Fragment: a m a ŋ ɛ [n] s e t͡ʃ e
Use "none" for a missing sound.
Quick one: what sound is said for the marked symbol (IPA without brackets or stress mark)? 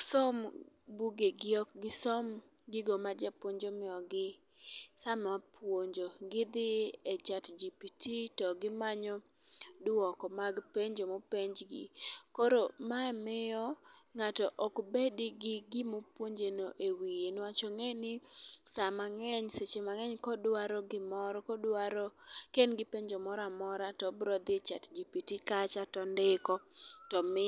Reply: ɲ